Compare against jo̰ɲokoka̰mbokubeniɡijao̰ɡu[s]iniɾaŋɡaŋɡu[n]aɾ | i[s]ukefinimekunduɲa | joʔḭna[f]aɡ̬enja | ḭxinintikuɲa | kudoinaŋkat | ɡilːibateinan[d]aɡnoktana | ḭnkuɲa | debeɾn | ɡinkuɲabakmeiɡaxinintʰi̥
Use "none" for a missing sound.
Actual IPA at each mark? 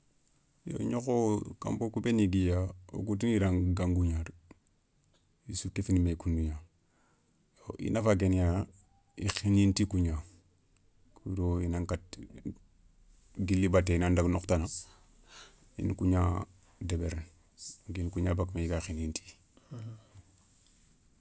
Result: t, ɲ, s, f, d

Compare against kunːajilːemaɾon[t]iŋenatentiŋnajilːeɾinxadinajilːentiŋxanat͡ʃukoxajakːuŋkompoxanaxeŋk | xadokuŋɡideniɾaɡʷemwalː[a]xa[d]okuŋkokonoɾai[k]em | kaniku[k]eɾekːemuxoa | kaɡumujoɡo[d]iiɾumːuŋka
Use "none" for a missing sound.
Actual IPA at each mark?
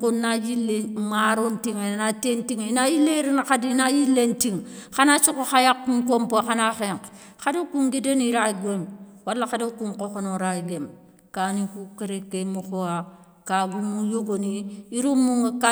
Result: t, a, d, ɡ, k, n

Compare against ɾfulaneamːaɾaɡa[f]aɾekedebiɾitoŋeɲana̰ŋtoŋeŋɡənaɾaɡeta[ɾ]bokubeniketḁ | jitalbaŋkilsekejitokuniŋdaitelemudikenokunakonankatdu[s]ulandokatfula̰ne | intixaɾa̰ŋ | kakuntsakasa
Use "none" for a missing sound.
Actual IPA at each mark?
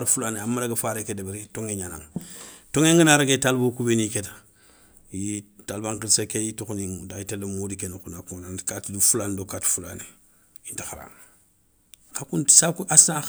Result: f, l, f

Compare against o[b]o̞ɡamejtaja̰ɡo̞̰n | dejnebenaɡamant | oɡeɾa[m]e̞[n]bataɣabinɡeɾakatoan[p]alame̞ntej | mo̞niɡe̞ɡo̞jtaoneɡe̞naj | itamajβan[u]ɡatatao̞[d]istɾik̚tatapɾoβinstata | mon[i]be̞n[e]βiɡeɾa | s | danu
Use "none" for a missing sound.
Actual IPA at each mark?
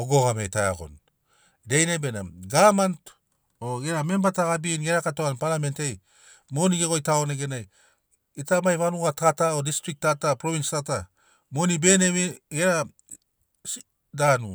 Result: ɡ, m, m, p, u, d, i, e

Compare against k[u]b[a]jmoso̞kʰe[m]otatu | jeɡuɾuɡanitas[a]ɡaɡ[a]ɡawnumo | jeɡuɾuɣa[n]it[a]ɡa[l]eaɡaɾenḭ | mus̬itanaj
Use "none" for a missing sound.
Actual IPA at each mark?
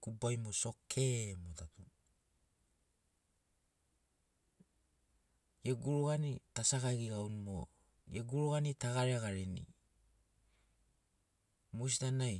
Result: u, a, m, a, i, n, a, ɾ

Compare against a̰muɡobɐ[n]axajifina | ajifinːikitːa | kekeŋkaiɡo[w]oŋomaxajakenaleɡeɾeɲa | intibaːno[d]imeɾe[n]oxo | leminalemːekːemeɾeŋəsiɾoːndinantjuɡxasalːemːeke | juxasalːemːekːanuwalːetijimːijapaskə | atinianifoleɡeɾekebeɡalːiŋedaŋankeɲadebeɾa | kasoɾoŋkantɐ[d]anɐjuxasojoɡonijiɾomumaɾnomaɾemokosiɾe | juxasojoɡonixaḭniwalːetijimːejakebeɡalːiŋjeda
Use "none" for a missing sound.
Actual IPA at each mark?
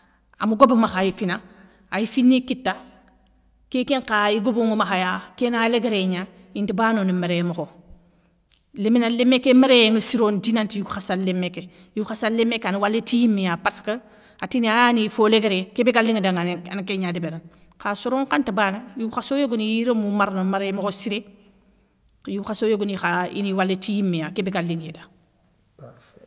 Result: m, b, n, m, b

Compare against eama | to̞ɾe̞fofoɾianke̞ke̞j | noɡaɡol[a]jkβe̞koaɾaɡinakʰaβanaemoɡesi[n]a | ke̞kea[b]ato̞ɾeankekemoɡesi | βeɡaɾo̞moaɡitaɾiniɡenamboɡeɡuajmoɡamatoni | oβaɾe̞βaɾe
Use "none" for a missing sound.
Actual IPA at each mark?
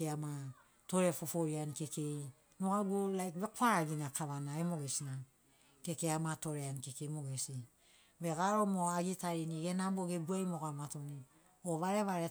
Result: a, n, m

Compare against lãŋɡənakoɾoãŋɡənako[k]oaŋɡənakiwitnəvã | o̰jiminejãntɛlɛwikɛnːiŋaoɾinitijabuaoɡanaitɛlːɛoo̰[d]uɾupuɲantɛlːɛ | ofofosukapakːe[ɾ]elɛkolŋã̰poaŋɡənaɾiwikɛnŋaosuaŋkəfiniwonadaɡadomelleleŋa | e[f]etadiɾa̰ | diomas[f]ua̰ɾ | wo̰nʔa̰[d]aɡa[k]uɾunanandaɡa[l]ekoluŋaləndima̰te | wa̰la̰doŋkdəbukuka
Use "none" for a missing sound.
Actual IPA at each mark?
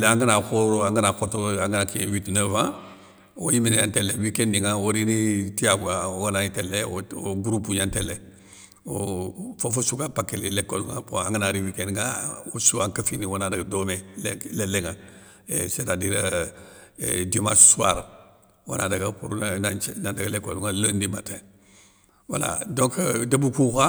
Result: t, ɡ, l, s, s, d, p, l

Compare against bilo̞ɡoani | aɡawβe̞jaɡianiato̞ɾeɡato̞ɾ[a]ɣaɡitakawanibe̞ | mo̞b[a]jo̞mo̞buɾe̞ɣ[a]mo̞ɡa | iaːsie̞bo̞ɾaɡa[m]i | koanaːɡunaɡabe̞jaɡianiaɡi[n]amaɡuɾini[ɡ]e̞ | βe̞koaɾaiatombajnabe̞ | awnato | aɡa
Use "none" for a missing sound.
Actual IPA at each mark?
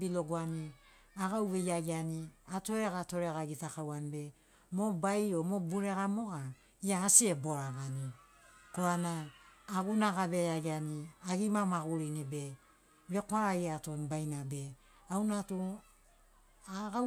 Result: e, a, a, n, m, b

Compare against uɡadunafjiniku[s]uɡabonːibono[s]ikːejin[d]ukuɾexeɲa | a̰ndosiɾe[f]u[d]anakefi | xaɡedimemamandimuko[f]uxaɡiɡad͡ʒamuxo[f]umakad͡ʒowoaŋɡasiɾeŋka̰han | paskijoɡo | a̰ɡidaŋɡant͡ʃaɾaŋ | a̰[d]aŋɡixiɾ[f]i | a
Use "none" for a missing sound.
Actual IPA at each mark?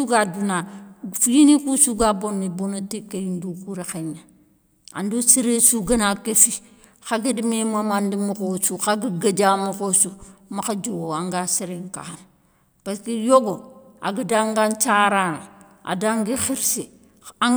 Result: s, t, d, s, ɡ, s, s, d, s

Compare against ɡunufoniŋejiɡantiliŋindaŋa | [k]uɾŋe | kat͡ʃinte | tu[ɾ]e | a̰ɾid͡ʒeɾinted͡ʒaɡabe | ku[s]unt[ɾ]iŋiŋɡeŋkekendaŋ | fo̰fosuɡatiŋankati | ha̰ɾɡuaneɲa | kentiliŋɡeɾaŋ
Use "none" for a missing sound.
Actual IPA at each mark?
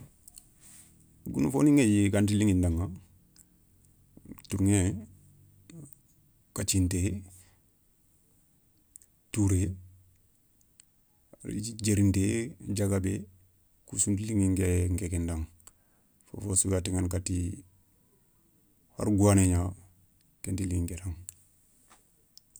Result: t, ɾ, s, l

